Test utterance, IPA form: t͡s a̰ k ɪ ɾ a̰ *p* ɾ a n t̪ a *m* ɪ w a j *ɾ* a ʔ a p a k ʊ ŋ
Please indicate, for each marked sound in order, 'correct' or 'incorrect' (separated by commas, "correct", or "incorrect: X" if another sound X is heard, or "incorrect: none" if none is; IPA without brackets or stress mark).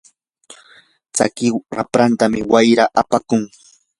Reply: correct, correct, correct